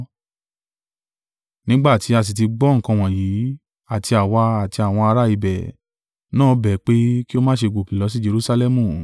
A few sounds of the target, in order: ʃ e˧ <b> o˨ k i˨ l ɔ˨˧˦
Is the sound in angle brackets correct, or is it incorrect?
incorrect